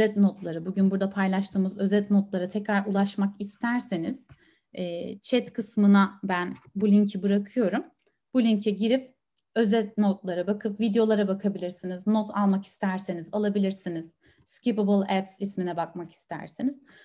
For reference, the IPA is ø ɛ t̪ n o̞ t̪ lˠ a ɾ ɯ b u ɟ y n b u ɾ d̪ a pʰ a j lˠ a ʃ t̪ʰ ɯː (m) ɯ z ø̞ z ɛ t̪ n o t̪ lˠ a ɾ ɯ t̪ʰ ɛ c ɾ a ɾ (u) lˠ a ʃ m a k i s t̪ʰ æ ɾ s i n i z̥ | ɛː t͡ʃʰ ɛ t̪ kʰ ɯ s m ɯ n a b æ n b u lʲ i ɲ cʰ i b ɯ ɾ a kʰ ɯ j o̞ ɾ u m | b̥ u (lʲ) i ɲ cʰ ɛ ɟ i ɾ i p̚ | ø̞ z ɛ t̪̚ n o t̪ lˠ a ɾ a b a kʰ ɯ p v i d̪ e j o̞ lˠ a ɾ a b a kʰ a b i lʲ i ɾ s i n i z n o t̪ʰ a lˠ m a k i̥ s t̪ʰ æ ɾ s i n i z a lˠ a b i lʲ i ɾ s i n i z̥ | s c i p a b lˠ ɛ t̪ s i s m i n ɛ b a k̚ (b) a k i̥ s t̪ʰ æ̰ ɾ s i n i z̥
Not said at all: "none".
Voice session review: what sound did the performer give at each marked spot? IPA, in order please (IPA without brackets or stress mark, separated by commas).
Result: m, u, lʲ, m